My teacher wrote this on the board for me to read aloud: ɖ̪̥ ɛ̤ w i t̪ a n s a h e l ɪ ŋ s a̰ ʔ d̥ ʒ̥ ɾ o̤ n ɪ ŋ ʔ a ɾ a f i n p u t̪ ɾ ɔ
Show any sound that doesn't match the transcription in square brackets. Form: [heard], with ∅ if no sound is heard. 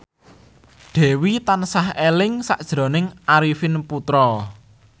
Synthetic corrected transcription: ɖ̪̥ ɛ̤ w i t̪ a n s a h e l ɪ ŋ s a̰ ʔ d̥ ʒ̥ ɾ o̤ n ɪ ŋ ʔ a ɾ [i] f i n p u t̪ ɾ ɔ